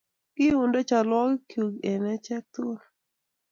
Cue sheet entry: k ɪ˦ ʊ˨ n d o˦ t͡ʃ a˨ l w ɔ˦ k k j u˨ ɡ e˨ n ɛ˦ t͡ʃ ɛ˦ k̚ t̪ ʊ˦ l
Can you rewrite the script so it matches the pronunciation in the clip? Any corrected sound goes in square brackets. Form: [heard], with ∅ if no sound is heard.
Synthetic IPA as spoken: k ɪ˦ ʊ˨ n d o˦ t͡ʃ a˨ l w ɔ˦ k k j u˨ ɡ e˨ n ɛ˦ t͡ʃ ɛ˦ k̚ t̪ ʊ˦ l

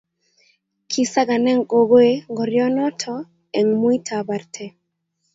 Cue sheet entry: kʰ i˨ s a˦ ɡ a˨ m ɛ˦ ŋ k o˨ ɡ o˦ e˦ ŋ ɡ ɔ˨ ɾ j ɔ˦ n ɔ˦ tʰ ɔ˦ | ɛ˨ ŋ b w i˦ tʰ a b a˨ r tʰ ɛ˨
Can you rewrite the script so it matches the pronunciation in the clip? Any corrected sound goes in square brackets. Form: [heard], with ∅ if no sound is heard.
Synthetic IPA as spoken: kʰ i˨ s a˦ ɡ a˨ [n] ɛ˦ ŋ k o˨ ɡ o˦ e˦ ŋ ɡ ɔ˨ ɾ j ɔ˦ n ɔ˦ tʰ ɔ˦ | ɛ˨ ŋ [m] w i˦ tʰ a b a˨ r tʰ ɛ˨

